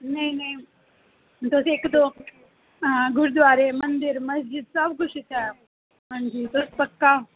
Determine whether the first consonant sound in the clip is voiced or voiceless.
voiced